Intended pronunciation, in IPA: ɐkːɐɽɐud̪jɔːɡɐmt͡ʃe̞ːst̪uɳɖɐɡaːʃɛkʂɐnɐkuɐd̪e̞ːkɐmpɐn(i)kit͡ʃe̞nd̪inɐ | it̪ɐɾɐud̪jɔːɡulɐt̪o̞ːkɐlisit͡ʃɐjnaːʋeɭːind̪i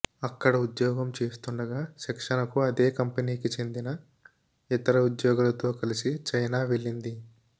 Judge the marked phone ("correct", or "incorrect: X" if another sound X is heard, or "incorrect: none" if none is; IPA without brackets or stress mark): incorrect: iː